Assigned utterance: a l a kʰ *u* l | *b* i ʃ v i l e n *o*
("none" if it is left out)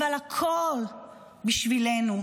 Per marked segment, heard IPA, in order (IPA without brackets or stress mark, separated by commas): o, b, u